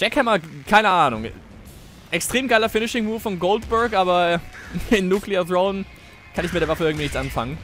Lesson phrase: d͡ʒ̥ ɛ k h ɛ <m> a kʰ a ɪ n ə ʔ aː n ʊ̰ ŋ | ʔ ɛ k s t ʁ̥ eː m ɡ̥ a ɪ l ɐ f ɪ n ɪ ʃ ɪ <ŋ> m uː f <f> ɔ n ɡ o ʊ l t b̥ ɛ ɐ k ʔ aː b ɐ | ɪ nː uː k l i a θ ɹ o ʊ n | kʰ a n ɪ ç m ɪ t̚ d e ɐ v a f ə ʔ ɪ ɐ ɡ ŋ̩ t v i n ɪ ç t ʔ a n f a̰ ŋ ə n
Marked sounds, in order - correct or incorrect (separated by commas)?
correct, correct, correct